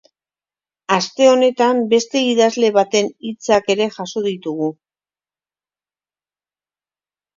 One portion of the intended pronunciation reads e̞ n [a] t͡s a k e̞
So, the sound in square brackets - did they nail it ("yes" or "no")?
no